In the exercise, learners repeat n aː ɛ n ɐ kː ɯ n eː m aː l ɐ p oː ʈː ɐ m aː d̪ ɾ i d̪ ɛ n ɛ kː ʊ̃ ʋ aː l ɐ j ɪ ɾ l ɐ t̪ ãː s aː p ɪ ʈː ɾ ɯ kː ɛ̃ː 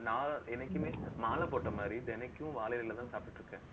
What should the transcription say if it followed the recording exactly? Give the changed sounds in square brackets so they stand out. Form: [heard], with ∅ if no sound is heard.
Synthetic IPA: n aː ɛ n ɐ kː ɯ [m] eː m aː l ɐ p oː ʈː ɐ m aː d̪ ɾ i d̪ ɛ n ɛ kː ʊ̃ ʋ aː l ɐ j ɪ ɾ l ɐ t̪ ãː s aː p ɪ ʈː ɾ ɯ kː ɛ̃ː